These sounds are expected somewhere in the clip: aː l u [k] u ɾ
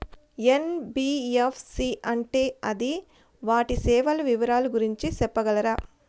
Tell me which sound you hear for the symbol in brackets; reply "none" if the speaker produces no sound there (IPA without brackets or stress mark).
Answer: ɡ